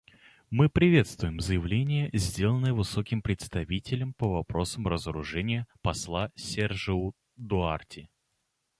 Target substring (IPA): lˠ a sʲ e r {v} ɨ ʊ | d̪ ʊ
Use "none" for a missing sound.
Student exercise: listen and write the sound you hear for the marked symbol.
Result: ʐ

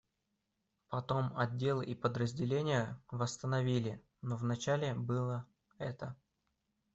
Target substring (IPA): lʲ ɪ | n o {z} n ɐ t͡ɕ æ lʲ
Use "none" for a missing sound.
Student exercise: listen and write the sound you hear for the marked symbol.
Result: v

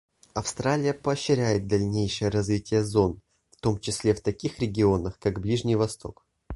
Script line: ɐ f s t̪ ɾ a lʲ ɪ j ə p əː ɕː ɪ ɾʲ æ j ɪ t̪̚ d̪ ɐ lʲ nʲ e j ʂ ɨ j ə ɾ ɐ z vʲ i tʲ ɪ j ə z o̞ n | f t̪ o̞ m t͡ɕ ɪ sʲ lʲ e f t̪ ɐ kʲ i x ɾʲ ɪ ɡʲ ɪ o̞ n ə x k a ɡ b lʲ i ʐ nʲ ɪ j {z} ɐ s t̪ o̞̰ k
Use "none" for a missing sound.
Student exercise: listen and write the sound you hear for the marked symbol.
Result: v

